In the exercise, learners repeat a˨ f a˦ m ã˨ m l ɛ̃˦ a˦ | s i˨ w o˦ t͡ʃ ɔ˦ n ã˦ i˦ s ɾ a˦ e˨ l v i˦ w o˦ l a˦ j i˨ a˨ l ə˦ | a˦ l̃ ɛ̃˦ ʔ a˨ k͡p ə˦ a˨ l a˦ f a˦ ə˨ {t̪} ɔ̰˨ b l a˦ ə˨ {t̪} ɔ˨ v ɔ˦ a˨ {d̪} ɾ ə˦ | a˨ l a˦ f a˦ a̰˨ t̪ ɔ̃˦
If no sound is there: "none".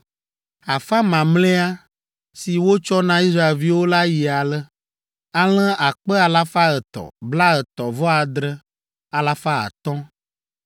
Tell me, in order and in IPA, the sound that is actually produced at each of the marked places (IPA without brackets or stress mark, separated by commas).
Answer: t̪, t̪, d̪